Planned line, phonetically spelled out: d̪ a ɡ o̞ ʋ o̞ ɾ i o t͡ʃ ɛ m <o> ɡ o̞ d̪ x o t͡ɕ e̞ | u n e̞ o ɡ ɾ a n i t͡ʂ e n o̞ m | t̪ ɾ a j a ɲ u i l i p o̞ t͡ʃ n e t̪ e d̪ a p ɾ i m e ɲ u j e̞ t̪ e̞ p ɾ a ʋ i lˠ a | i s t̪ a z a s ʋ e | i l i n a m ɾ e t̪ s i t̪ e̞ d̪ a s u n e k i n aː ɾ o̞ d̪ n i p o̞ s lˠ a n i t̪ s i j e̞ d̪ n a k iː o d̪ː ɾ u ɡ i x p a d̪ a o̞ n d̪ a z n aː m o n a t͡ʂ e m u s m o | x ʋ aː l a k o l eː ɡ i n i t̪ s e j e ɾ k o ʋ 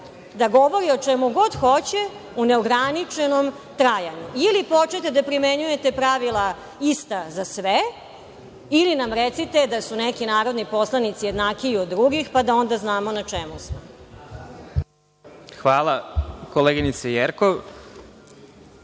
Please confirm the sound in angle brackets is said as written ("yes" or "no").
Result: no